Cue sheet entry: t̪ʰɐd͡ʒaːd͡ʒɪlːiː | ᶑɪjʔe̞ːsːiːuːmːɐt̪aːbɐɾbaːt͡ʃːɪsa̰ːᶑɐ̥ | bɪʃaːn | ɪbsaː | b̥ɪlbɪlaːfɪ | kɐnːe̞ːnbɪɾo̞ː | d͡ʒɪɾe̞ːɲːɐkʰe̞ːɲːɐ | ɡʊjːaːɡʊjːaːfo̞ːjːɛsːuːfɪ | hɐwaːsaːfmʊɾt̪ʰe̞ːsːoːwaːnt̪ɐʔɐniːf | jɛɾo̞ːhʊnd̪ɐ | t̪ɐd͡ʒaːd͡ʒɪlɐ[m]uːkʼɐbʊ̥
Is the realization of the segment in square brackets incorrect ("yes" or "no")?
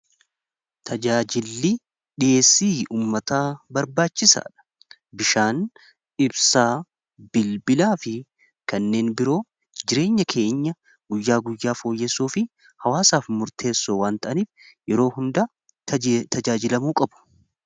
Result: no